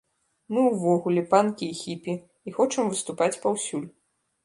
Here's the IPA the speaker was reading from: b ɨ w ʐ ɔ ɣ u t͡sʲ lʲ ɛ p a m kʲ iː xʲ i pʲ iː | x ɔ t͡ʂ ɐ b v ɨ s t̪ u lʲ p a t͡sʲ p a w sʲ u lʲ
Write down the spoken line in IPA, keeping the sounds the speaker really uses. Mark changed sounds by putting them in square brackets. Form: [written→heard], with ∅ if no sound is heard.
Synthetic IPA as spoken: [b→m] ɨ w [ʐ→v] ɔ ɣ u [t͡sʲ→∅] lʲ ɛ p a [m→n] kʲ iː xʲ i pʲ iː | x ɔ t͡ʂ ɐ [b→m] v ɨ s t̪ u [lʲ→∅] p a t͡sʲ p a w sʲ u lʲ